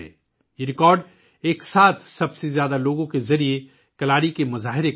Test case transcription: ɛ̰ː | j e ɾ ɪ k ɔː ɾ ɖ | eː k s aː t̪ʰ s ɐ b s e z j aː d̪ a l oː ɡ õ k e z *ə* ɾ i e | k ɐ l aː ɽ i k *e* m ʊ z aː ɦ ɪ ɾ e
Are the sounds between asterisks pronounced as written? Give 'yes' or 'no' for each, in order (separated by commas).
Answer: no, yes